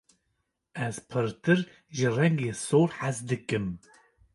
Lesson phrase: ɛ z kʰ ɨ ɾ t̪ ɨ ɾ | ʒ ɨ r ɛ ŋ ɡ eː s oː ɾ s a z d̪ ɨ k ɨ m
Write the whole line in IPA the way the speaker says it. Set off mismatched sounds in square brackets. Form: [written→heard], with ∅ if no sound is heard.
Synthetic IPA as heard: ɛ z [kʰ→pʰ] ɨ ɾ t̪ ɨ ɾ | ʒ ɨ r ɛ ŋ ɡ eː s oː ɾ [s→ħ] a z d̪ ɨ k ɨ m